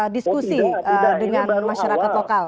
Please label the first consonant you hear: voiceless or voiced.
voiced